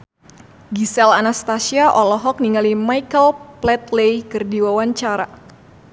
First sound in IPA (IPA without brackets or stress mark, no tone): ɡ